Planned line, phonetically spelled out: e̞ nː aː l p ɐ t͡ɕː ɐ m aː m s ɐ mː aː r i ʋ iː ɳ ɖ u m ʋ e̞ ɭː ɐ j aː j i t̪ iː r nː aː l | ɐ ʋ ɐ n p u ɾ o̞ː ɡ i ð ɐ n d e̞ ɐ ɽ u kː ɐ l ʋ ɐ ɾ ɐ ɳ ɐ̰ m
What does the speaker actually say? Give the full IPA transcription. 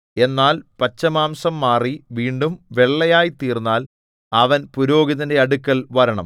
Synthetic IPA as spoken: e̞ nː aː l p ɐ t͡ɕː ɐ m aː m s ɐ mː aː r i ʋ iː ɳ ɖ u m ʋ e̞ ɭː ɐ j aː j i t̪ iː r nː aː l | ɐ ʋ ɐ n p u ɾ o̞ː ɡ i ð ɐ n d e̞ ɐ ɽ u kː ɐ l ʋ ɐ ɾ ɐ ɳ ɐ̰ m